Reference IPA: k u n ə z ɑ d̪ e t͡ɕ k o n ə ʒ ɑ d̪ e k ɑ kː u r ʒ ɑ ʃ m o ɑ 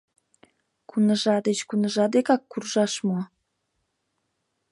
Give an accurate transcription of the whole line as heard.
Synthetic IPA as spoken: k u n ə ʒ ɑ d̪ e t͡ɕ k u n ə ʒ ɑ d̪ e k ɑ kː u r ʒ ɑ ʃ m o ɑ